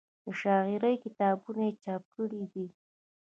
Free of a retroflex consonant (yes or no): no